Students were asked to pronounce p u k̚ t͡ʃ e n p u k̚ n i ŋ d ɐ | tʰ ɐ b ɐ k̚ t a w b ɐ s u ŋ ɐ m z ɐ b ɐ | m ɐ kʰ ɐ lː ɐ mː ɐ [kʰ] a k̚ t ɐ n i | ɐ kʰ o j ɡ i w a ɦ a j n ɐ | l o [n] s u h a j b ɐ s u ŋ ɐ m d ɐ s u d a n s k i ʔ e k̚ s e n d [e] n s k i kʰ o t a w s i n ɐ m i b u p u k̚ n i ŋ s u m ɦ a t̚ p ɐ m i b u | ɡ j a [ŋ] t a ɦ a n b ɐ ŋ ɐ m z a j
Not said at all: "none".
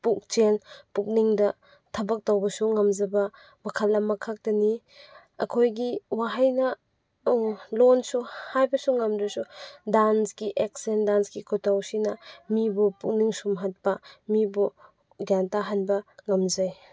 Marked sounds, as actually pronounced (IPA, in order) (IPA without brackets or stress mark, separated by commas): kʰ, n, a, n